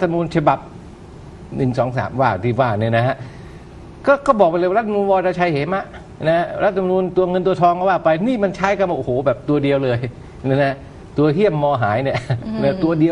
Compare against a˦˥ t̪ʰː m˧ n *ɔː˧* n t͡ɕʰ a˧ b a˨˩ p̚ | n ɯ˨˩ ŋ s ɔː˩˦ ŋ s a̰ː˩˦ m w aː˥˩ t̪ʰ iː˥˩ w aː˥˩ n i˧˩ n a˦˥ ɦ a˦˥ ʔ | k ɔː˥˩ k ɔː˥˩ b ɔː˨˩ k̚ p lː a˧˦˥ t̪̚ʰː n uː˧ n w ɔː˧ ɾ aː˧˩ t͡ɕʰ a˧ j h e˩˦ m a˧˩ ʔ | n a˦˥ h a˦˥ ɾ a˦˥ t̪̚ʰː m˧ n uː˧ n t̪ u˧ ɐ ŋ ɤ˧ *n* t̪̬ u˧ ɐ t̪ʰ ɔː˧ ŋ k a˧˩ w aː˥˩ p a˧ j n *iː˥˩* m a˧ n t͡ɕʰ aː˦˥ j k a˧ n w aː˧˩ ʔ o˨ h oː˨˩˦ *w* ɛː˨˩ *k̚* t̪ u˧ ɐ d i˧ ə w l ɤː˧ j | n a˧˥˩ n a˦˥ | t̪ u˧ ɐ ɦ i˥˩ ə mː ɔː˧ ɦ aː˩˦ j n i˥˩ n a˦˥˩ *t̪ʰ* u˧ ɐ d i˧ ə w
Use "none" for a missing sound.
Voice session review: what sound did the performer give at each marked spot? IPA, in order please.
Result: uː˧, n, iː˥˩, b, p̚, t̪

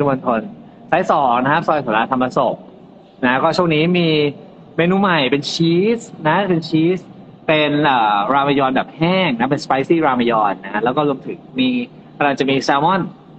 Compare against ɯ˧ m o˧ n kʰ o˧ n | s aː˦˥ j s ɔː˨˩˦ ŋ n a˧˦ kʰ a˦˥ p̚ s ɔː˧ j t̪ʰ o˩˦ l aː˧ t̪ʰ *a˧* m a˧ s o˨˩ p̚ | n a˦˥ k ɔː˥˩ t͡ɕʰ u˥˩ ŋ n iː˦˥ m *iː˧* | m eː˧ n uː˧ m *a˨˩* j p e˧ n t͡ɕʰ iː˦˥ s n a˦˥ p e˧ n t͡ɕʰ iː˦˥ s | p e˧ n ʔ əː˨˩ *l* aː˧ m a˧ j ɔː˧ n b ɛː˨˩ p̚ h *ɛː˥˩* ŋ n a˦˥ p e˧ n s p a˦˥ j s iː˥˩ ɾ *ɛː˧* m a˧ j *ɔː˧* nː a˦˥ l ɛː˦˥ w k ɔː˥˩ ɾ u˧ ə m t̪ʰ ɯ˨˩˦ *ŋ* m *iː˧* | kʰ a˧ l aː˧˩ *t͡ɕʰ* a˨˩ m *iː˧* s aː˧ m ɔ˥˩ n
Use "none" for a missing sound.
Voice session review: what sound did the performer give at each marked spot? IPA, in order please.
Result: a˧, iː˧, a˨˩, ɾ, ɛː˥˩, aː˧, ɔː˧, ŋ, iː˧, t͡ɕ, iː˧

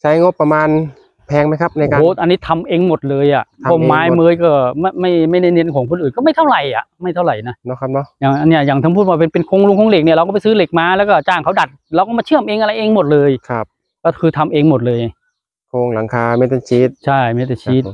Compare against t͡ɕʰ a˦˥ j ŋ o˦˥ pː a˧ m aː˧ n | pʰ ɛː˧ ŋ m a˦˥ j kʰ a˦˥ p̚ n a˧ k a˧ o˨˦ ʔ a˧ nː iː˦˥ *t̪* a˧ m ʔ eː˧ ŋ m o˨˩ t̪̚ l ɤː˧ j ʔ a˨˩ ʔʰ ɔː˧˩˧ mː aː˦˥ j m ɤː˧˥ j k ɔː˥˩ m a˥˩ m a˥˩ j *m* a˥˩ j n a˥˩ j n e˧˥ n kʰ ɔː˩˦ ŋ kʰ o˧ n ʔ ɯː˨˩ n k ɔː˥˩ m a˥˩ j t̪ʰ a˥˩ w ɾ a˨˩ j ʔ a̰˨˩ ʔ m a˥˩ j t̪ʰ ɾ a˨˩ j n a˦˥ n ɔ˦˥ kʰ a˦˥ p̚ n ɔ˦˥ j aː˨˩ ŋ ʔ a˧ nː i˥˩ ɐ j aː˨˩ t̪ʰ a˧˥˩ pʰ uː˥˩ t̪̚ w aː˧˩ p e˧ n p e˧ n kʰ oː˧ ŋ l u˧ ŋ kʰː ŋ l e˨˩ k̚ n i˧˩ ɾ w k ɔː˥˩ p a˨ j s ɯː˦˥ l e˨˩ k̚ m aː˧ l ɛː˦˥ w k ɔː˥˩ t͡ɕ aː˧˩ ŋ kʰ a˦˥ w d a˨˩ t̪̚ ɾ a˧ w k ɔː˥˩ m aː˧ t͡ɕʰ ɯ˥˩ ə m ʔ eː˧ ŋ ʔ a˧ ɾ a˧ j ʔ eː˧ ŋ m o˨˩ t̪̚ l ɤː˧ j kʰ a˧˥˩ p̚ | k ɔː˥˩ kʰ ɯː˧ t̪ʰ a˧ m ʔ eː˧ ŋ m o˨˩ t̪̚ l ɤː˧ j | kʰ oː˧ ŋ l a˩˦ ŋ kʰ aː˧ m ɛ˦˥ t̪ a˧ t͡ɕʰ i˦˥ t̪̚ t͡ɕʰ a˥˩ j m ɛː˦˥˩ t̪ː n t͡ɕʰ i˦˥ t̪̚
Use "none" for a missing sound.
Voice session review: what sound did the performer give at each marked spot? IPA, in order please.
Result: t̪ʰ, m

